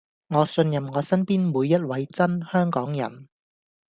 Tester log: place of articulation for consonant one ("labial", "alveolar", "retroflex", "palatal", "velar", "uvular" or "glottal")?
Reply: velar